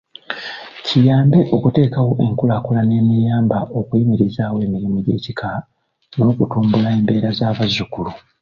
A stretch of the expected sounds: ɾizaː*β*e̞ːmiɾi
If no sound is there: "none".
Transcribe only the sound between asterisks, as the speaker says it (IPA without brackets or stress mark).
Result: w